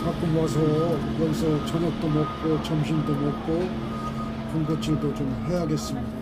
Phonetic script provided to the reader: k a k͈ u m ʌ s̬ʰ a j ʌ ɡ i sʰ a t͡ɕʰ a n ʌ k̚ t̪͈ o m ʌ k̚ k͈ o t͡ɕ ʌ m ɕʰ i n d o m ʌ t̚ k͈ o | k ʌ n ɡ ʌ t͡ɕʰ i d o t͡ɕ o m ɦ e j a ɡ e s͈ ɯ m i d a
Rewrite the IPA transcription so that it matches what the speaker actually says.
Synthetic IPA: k a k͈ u m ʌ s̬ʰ ʌ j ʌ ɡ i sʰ ʌ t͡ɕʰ ʌ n ʌ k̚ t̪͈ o m ʌ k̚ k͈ o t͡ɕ ʌ m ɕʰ i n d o m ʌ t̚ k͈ o | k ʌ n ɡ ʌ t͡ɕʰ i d o t͡ɕ o m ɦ e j a ɡ e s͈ ɯ m i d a